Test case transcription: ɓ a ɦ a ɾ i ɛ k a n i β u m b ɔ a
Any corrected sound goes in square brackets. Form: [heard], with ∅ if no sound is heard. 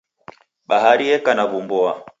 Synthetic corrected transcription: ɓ a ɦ a ɾ i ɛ k a n [a] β u m b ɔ a